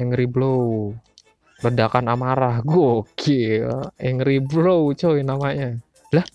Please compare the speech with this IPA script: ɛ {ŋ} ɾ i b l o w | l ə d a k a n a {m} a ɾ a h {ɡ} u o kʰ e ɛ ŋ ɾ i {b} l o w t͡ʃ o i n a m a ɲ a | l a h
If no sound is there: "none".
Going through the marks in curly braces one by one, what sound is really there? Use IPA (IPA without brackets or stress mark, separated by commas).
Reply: ŋ, m, ɡ, b